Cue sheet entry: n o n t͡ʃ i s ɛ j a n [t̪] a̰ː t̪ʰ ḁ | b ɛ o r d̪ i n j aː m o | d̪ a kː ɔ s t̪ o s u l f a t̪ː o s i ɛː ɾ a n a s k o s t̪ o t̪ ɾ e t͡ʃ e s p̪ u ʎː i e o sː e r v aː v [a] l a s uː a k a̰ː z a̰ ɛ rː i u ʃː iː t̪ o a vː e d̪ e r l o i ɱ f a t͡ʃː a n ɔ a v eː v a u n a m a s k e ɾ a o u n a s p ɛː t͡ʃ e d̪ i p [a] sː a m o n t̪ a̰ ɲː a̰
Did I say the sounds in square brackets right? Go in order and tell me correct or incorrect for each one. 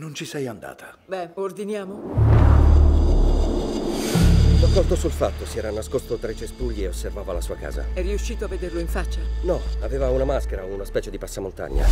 incorrect: d̪, correct, correct

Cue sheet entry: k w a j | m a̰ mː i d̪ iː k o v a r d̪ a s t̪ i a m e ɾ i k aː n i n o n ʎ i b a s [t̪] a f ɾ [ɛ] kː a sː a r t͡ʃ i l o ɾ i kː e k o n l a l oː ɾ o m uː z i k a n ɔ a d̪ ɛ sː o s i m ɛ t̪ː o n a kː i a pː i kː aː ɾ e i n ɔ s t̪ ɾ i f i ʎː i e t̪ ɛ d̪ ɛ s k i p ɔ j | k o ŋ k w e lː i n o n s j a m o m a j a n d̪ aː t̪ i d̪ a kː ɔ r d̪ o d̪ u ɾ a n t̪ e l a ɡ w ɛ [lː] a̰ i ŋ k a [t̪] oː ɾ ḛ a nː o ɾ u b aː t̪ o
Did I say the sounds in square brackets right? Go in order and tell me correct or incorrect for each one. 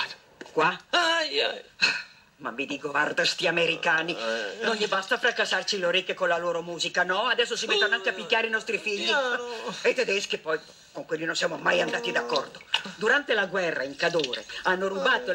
correct, incorrect: a, incorrect: rː, incorrect: d̪

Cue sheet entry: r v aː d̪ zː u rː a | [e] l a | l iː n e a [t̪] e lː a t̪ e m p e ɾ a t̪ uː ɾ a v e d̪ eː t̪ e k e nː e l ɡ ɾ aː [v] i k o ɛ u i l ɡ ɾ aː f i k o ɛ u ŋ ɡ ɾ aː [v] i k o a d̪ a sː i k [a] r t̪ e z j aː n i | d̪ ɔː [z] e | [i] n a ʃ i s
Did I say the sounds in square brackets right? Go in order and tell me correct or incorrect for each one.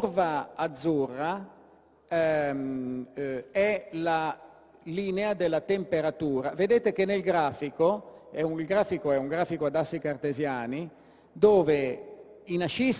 incorrect: ɛ, incorrect: d̪, incorrect: f, incorrect: f, correct, incorrect: v, correct

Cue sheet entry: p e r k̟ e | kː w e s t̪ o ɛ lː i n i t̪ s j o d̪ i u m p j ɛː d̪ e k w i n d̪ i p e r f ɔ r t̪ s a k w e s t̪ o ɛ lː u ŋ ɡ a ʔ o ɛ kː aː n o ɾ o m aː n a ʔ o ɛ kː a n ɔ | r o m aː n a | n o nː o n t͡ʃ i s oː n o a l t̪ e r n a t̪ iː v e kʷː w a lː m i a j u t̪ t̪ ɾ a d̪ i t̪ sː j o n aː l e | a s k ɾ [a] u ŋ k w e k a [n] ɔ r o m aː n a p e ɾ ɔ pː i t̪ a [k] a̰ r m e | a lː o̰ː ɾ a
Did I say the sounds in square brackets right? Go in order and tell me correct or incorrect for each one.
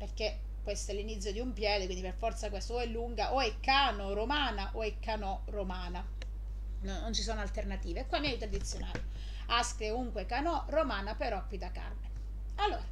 incorrect: e, correct, correct

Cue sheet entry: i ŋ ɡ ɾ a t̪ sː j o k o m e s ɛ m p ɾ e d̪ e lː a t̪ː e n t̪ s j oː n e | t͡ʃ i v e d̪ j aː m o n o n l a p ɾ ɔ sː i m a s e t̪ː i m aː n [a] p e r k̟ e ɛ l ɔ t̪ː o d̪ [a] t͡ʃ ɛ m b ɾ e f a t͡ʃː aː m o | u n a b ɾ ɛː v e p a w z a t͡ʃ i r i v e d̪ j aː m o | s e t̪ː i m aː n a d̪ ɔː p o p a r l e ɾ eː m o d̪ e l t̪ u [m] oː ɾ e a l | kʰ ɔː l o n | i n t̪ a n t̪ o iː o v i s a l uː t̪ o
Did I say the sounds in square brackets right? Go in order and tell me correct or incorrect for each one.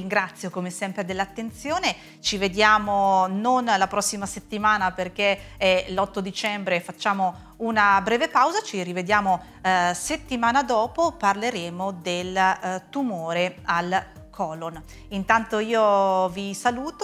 correct, incorrect: i, correct

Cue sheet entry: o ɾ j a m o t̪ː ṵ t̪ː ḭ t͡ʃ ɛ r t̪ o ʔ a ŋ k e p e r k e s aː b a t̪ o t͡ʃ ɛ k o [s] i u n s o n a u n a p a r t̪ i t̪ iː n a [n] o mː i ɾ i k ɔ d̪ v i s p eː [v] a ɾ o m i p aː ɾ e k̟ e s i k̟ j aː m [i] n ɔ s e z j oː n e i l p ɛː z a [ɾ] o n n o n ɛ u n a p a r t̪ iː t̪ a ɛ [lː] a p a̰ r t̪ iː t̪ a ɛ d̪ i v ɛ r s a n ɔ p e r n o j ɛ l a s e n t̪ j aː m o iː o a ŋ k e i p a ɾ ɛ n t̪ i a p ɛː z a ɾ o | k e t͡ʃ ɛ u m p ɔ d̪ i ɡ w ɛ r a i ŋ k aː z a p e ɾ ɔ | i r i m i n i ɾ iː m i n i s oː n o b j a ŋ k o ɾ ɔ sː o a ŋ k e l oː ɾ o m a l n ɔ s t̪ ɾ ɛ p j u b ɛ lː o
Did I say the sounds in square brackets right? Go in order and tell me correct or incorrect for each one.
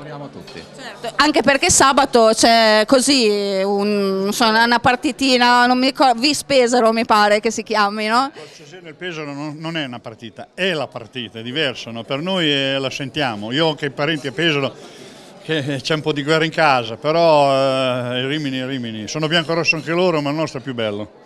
incorrect: z, correct, incorrect: z, correct, correct, incorrect: l

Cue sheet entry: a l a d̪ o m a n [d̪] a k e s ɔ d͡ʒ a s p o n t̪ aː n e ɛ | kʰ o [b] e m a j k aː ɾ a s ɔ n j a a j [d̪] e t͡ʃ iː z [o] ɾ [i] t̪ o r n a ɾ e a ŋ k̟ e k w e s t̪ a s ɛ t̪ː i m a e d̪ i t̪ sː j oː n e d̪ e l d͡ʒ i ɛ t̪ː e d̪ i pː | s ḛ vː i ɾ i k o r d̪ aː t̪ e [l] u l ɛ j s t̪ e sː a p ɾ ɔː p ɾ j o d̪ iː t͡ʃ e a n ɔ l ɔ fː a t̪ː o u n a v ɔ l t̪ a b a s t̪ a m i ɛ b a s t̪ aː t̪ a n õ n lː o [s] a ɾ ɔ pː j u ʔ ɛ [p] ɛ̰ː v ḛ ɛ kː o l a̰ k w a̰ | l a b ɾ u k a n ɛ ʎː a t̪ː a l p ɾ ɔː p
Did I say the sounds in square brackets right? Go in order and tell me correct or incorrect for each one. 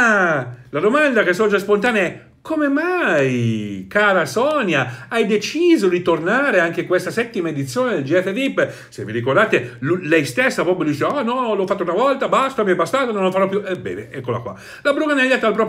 correct, incorrect: m, correct, correct, correct, correct, incorrect: f, incorrect: b

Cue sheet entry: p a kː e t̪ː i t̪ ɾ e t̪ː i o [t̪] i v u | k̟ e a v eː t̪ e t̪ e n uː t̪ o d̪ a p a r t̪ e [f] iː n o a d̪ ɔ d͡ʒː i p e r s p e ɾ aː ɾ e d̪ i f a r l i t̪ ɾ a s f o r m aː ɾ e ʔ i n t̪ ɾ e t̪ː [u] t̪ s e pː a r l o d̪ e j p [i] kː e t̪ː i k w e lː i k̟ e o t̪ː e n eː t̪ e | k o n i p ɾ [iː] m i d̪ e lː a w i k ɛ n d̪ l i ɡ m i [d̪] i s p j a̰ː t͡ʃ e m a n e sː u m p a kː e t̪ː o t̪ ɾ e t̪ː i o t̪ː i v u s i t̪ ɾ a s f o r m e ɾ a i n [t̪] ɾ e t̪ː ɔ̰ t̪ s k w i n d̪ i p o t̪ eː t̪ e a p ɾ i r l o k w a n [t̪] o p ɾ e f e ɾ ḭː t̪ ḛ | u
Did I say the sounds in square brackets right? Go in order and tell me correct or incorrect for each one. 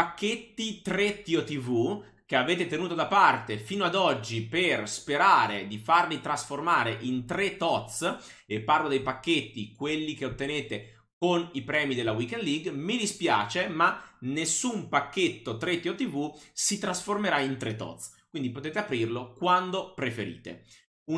correct, correct, incorrect: ɔ, incorrect: a, incorrect: ɛː, correct, correct, incorrect: d̪

